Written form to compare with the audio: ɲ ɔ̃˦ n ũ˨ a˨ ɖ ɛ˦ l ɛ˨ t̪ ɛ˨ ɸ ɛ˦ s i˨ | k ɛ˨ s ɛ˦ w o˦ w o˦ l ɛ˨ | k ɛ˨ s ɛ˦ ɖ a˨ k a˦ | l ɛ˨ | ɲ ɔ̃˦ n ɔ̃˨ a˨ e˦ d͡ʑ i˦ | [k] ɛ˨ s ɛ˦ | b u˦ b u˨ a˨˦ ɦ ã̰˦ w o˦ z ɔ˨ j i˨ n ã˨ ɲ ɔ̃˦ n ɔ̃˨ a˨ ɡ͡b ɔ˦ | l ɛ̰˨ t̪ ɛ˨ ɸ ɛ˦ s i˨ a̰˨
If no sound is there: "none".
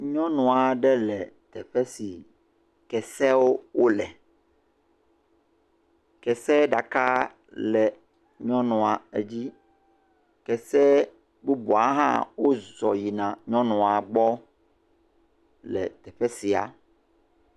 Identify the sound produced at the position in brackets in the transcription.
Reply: k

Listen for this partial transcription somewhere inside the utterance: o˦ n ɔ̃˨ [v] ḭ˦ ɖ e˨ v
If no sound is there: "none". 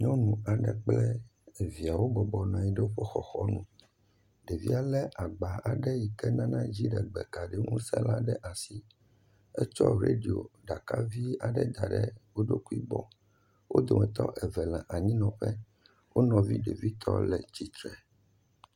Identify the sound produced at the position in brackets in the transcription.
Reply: v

